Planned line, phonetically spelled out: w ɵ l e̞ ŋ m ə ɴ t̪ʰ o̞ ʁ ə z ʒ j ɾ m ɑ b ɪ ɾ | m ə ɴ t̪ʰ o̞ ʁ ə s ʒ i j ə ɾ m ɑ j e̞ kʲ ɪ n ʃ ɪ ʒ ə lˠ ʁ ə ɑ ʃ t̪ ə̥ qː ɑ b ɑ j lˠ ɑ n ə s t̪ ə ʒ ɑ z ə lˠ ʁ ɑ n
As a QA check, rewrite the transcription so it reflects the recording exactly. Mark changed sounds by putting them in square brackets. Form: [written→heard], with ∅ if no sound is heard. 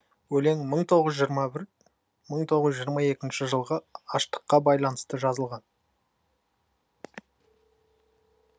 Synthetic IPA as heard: w ɵ l e̞ ŋ m ə ɴ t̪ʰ o̞ ʁ ə z ʒ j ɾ m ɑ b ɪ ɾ | m ə ɴ t̪ʰ o̞ ʁ ə [s→z] ʒ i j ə ɾ m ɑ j e̞ kʲ ɪ n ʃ ɪ ʒ ə lˠ ʁ ə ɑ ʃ t̪ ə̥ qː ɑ b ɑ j lˠ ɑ n ə s t̪ ə ʒ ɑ z ə lˠ ʁ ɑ n